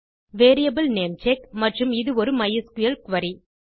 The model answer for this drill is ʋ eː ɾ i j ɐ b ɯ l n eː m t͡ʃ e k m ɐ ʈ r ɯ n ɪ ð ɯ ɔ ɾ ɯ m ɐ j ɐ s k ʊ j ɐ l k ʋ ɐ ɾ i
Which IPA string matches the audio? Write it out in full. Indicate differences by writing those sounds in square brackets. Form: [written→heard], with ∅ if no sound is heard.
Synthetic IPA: ʋ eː ɾ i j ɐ b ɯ l n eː m t͡ʃ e k m ɐ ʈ r ɯ [n→m] ɪ ð ɯ ɔ ɾ ɯ m ɐ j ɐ s k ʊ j ɐ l k ʋ ɐ ɾ i